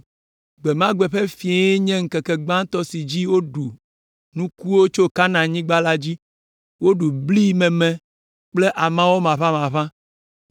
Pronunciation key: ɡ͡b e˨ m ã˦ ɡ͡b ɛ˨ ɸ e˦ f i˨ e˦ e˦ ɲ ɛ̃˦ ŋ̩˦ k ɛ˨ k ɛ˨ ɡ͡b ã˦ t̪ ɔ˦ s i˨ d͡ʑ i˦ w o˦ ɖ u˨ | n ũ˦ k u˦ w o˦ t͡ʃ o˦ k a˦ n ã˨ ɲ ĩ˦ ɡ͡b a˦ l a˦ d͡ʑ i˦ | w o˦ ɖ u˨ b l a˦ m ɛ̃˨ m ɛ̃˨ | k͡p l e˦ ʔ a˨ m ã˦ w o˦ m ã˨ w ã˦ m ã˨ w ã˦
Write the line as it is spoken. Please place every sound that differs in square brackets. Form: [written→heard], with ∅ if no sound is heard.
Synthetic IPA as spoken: ɡ͡b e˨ m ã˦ ɡ͡b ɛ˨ ɸ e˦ f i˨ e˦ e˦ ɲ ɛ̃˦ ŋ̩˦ k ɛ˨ k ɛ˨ ɡ͡b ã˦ t̪ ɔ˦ s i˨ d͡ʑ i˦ w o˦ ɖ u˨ | n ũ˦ k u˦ w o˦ t͡ʃ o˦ k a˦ n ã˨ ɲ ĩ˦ ɡ͡b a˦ l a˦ d͡ʑ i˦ | w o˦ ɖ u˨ b l [a˦→i˦] m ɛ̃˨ m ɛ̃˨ | k͡p l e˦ ʔ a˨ m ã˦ w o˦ m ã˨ [w→β] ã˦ m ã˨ [w→β] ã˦